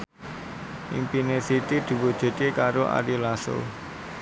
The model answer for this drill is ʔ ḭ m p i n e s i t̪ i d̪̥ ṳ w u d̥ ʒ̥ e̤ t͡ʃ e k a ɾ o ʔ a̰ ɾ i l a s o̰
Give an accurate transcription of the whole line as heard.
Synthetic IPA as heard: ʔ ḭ m p i n e s i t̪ i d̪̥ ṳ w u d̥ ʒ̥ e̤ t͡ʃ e k a ɾ o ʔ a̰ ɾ i l a s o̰